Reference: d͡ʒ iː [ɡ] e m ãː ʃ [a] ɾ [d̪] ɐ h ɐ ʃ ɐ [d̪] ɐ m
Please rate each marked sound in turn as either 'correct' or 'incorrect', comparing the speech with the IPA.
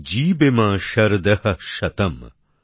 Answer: incorrect: b, incorrect: ɐ, correct, incorrect: t̪

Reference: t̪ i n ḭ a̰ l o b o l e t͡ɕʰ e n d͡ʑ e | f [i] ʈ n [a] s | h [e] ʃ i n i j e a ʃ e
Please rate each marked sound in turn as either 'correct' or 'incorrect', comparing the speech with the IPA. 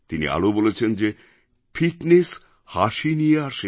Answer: correct, incorrect: e, incorrect: a

